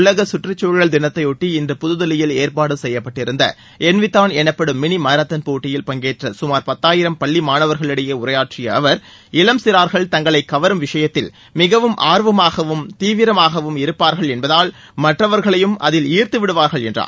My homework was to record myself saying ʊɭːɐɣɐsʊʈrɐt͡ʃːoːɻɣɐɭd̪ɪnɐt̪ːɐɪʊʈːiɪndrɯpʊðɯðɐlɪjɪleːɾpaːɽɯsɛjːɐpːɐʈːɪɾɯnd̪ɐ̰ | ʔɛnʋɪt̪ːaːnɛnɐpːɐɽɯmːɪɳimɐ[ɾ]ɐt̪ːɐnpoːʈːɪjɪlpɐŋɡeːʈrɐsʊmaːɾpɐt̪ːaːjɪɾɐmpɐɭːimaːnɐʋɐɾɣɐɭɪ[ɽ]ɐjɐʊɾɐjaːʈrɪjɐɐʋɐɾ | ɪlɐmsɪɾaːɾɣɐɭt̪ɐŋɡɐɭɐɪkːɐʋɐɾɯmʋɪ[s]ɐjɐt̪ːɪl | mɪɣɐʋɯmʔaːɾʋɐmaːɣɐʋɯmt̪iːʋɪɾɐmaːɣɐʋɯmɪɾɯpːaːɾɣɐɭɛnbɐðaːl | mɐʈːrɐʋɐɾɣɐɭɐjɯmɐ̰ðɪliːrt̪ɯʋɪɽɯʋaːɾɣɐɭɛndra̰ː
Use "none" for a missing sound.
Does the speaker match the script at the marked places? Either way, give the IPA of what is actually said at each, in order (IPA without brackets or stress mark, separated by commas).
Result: ɾ, ɽ, ʂ